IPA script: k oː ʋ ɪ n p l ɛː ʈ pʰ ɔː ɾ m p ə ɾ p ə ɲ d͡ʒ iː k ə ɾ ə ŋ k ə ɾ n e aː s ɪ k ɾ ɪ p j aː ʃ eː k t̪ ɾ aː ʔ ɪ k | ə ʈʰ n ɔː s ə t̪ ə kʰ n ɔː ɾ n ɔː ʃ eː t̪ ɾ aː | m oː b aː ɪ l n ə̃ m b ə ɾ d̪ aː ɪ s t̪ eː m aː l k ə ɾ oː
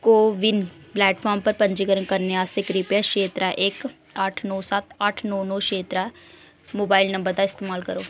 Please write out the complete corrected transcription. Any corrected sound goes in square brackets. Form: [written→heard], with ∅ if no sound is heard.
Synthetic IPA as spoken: k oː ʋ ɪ n p l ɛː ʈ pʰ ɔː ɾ m p ə ɾ p ə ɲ d͡ʒ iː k ə ɾ ə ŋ k ə ɾ n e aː s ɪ k ɾ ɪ p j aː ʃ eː [k→∅] t̪ ɾ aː ʔ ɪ k | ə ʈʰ n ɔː s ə t̪ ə [kʰ→ʈʰ] n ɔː [ɾ→∅] n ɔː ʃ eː t̪ ɾ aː | m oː b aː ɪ l n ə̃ m b ə ɾ d̪ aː ɪ s t̪ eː m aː l k ə ɾ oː